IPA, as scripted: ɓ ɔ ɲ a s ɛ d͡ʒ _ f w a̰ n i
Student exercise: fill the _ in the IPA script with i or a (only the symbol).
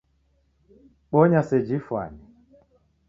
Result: i